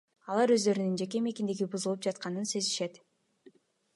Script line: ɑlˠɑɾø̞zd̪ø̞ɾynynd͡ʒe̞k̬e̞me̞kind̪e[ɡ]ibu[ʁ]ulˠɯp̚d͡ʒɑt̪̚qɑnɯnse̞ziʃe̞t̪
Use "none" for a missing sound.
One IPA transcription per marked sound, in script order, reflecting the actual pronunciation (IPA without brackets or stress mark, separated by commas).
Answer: ɡ, z